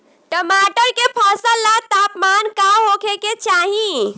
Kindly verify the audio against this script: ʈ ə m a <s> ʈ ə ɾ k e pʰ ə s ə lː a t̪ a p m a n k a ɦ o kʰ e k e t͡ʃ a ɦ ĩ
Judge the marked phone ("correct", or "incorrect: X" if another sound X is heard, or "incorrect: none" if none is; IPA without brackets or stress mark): incorrect: none